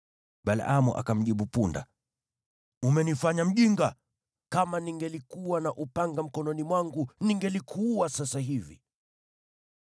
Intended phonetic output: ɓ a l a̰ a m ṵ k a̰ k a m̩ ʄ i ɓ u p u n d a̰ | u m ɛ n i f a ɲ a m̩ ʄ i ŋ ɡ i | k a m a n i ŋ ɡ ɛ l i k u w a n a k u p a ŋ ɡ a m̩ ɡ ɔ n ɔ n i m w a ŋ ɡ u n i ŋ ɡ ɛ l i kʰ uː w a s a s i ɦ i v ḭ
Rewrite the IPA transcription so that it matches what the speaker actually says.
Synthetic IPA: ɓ a l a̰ a m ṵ ʔ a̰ k a m̩ ʄ i ɓ u p u n d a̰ | u m ɛ n i f a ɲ a m̩ ʄ i ŋ ɡ a | k a m a n i ŋ ɡ ɛ l i k u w a n a ʔ u p a ŋ ɡ a m̩ k ɔ n ɔ n i m w a ŋ ɡ u n i ŋ ɡ ɛ l i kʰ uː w a s a s a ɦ i v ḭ